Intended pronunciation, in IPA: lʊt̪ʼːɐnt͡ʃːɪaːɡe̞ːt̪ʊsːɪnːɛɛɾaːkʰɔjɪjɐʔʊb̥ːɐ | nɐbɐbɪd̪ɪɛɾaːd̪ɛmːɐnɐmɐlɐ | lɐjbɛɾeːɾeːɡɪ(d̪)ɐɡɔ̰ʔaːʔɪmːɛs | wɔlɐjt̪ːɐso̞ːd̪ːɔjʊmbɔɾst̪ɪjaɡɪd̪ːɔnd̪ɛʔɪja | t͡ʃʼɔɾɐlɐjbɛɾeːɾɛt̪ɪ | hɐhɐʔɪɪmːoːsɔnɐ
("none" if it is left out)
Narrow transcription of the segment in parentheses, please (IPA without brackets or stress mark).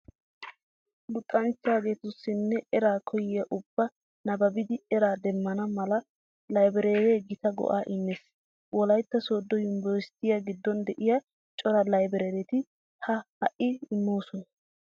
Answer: t̪